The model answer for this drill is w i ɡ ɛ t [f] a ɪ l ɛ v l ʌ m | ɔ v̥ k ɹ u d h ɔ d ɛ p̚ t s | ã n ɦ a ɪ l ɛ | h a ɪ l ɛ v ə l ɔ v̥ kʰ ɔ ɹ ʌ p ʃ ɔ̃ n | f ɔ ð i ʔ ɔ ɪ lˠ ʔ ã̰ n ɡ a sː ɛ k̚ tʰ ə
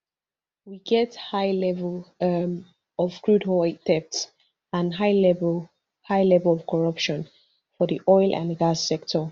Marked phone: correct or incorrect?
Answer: incorrect